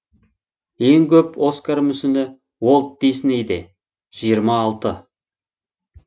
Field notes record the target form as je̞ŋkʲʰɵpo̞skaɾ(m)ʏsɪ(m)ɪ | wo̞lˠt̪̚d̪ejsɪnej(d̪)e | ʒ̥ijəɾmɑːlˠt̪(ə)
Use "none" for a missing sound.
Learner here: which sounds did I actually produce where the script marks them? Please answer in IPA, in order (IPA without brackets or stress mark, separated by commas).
m, n, d̪, ə